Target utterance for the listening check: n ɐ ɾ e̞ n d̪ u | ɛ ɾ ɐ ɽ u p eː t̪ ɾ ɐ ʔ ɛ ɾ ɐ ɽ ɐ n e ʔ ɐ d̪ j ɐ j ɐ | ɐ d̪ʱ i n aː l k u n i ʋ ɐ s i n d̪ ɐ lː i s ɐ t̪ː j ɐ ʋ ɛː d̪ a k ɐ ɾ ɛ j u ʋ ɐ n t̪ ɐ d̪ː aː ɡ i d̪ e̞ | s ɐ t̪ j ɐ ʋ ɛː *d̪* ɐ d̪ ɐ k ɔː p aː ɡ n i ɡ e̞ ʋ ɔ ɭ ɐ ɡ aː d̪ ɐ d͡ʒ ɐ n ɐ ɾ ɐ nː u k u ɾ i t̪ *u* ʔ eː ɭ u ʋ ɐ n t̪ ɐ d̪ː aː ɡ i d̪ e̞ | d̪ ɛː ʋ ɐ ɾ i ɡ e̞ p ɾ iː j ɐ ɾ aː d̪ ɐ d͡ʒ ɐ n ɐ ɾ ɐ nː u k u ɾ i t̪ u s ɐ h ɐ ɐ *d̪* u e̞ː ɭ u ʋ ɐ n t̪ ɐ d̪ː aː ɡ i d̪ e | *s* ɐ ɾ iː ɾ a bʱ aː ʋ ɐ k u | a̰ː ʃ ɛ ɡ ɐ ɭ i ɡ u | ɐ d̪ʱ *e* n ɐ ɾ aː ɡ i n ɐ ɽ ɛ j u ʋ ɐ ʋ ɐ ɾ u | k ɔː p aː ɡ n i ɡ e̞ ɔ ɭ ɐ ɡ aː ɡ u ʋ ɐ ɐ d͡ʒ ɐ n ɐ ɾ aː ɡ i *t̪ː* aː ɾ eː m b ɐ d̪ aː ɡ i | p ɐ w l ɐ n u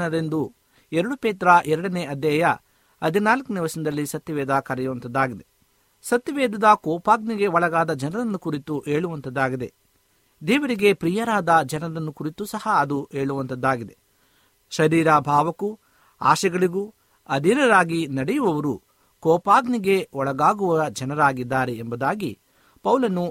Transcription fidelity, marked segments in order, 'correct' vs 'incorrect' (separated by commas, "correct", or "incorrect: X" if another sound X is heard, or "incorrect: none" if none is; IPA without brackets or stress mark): correct, correct, correct, incorrect: ʃ, incorrect: i, incorrect: d̪ː